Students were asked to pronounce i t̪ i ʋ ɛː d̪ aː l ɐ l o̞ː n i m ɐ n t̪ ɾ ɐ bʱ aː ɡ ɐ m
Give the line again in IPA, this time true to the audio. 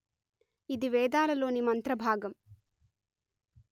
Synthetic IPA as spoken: i d̪ i ʋ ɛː d̪ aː l ɐ l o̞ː n i m ɐ n t̪ ɾ ɐ bʱ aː ɡ ɐ m